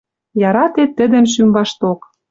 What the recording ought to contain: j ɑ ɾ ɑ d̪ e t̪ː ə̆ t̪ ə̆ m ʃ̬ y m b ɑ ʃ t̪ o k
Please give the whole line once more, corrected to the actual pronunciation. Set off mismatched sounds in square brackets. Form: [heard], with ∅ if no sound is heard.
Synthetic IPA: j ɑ ɾ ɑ [t̪] e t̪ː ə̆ [d̪] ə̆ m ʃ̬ y m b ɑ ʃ t̪ o k